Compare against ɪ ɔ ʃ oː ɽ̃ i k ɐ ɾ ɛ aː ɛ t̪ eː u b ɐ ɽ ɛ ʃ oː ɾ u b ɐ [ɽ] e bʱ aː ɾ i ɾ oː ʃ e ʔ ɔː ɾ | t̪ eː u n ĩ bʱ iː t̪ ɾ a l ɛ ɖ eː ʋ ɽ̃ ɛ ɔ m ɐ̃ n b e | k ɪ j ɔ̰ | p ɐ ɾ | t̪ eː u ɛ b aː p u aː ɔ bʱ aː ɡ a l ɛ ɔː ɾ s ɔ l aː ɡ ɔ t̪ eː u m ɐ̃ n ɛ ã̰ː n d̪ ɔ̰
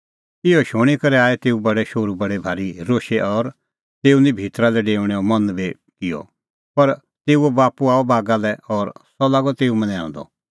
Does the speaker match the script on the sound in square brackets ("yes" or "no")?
yes